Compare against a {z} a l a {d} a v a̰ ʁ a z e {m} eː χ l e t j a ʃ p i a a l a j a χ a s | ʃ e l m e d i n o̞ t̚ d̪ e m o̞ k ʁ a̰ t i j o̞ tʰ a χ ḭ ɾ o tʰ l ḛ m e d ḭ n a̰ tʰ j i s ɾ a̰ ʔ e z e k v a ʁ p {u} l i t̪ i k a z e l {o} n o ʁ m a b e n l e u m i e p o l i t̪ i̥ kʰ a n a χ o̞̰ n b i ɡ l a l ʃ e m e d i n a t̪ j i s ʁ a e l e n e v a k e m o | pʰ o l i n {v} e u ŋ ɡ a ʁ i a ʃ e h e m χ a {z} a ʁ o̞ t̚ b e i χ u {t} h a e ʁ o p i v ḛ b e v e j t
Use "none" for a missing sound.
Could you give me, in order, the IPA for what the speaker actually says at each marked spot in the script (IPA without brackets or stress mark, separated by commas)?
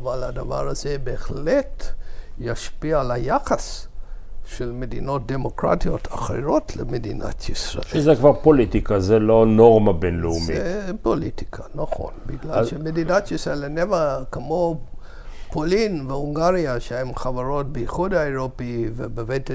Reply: v, d, b, o, o, v, v, d